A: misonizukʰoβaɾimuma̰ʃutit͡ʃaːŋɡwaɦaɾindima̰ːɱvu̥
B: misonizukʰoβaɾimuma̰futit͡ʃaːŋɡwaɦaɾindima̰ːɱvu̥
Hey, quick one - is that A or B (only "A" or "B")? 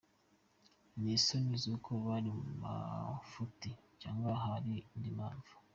B